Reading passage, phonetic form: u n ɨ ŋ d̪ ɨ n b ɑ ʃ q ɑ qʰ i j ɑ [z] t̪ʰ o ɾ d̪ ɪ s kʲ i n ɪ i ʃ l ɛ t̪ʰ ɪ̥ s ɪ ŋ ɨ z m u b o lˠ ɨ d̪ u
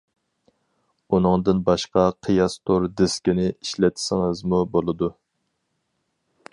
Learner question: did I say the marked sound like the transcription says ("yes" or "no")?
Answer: no